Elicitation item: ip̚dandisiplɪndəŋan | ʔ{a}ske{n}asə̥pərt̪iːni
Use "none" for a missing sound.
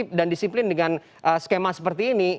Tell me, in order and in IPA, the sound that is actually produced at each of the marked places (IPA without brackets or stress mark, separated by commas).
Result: ə, m